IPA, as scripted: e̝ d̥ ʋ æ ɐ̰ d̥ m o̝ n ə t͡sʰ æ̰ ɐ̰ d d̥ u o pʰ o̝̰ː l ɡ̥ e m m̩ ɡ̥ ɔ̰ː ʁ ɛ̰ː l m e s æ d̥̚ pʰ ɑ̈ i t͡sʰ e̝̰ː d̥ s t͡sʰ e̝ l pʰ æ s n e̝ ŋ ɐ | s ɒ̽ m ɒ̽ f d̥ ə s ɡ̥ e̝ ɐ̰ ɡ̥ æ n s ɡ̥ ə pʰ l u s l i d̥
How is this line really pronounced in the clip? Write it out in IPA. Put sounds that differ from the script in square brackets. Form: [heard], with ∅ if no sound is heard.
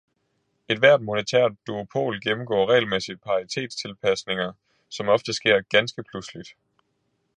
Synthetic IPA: e̝ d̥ ʋ æ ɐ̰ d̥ m o̝ n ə t͡sʰ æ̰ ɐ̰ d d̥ u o pʰ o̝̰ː l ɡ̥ e m m̩ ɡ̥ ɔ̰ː ʁ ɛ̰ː l m e s [i] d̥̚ pʰ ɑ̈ i t͡sʰ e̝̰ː d̥ s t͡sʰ e̝ l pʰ æ s n e̝ ŋ ɐ | s ɒ̽ m ɒ̽ f d̥ ə s ɡ̥ e̝ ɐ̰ ɡ̥ æ n s ɡ̥ ə pʰ l u s l i d̥